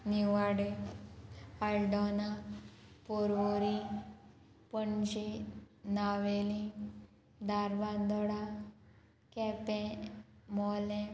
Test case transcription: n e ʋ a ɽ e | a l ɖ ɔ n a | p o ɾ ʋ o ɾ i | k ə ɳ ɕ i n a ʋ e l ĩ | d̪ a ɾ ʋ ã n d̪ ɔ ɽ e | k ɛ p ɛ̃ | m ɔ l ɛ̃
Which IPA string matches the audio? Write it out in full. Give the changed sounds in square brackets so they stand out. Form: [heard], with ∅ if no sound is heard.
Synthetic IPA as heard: n [i] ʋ a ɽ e | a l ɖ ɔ n a | p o ɾ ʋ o ɾ i | [p] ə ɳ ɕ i n a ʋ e l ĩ | d̪ a ɾ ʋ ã n d̪ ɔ ɽ [a] | k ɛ p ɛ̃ | m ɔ l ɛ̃